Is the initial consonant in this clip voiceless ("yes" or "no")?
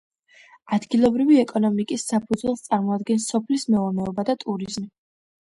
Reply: no